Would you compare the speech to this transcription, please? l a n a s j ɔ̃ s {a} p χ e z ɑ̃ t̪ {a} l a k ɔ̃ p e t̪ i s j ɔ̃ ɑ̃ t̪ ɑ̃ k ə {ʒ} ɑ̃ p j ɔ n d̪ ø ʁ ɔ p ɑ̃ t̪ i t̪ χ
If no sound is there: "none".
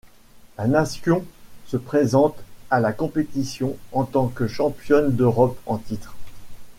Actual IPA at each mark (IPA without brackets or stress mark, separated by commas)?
ə, a, ʃ